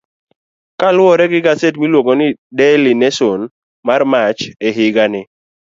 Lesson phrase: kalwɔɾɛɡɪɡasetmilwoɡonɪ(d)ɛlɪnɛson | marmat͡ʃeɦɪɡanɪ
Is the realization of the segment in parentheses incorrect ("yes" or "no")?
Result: no